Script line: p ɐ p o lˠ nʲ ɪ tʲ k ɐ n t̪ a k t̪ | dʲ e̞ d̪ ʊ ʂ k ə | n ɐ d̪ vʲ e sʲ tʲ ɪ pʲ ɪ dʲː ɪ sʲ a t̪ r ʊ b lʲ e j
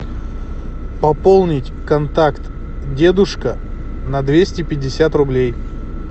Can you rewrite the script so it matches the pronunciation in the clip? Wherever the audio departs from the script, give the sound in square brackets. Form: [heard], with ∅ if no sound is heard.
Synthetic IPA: p ɐ p o lˠ nʲ ɪ tʲ k ɐ n t̪ a k t̪ | dʲ e̞ d̪ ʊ ʂ k ə | n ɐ d̪ vʲ e sʲ tʲ ɪ pʲ ɪ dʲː ɪ sʲ a t̪ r ʊ b lʲ e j